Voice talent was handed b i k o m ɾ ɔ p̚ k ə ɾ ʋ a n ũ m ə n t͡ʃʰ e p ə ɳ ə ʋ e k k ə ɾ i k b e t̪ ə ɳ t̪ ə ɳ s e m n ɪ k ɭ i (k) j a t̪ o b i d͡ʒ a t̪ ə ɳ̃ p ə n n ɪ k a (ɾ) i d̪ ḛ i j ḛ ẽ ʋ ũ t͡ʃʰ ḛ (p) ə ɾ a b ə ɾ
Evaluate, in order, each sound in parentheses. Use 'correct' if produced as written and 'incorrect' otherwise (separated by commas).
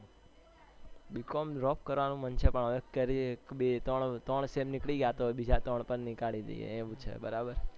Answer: incorrect, incorrect, incorrect